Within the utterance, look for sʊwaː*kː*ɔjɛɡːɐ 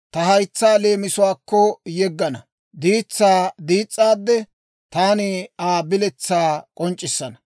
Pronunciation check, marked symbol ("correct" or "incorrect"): correct